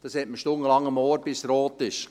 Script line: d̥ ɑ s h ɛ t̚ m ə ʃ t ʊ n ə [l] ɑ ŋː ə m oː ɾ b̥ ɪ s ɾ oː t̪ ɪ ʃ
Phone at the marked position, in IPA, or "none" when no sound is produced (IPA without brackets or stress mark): l